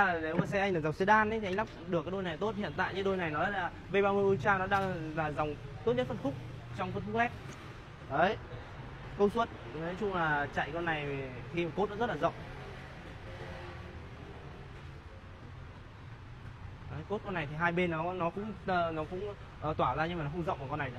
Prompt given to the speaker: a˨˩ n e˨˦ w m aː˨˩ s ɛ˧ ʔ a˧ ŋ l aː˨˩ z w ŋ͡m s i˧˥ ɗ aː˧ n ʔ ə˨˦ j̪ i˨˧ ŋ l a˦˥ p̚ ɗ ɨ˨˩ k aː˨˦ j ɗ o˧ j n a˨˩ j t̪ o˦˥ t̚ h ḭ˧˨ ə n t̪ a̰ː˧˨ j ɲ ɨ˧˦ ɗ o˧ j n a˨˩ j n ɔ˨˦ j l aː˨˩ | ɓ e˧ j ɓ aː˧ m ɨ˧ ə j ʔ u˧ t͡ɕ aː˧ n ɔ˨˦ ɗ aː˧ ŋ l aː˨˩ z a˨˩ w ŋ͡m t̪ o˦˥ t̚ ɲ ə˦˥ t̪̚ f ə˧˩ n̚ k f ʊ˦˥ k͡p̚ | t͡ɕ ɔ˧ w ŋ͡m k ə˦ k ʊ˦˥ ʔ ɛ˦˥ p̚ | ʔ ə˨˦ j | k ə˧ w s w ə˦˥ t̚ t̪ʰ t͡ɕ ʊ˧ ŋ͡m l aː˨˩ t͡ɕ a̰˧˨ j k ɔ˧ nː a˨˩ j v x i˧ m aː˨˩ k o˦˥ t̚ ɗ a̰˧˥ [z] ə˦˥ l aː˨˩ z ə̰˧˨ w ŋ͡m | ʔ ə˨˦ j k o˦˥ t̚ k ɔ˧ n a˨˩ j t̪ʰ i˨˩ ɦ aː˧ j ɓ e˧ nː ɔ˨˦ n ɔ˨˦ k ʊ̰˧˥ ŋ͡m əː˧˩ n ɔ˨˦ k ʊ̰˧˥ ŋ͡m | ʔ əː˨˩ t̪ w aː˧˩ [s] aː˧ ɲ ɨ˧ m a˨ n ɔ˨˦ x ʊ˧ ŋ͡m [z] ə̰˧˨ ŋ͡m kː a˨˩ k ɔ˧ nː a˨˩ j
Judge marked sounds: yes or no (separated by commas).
yes, no, yes